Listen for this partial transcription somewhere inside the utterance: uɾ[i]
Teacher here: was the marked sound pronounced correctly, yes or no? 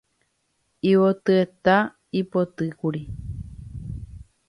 yes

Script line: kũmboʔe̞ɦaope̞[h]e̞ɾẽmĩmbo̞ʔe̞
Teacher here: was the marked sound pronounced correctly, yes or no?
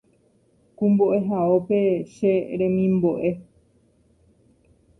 no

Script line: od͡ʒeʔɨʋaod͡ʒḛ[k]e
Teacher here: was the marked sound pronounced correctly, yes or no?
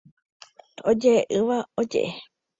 no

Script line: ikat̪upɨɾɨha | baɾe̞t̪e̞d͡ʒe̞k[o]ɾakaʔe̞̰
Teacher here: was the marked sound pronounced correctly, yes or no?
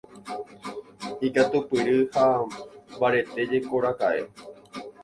yes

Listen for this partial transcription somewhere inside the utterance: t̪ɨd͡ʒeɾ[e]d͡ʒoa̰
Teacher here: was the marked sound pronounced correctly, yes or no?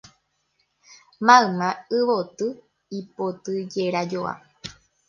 no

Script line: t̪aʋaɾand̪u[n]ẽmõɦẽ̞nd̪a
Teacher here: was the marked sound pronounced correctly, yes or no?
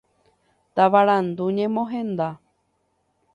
no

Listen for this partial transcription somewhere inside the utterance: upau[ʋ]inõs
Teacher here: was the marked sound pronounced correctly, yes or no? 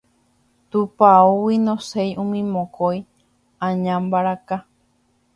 no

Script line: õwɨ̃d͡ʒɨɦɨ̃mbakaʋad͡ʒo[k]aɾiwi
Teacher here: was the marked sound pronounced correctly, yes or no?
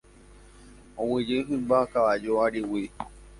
no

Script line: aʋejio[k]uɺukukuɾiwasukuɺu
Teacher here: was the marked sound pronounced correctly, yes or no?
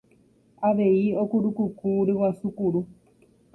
yes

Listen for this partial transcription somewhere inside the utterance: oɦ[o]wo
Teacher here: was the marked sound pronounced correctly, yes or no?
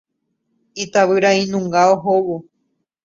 yes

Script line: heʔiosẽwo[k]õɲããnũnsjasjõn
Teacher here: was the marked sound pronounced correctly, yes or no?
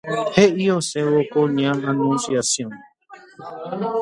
yes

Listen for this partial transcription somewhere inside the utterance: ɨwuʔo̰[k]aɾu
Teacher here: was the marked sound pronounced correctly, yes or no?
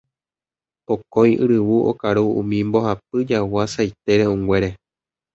yes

